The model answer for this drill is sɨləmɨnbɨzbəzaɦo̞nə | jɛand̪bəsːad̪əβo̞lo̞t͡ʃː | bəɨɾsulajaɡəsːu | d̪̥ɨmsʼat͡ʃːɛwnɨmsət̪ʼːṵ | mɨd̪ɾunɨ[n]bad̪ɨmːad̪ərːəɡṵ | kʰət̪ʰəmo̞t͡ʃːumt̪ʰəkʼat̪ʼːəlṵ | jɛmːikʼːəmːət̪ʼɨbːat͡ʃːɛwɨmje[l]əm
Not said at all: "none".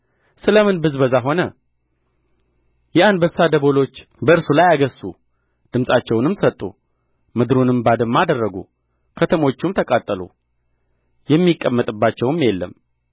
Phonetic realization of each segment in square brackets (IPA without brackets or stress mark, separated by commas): m, lː